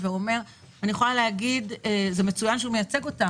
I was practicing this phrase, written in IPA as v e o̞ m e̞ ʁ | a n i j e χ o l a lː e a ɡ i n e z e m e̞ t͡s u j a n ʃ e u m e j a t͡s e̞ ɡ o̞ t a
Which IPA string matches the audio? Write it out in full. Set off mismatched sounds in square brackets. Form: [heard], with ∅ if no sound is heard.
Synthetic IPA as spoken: v e o̞ m e̞ ʁ | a n i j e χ o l a [l] e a ɡ i [d] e z e m e̞ t͡s u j a n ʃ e u m e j a t͡s e̞ ɡ o̞ t a